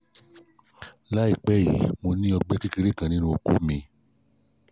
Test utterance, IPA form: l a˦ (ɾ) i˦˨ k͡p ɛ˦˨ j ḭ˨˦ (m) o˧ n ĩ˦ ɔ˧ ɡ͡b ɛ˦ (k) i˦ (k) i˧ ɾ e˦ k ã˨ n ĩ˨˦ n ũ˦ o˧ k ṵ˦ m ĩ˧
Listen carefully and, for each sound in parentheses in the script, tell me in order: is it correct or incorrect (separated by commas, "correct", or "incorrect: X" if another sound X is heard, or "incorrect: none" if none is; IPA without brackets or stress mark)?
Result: incorrect: none, correct, correct, correct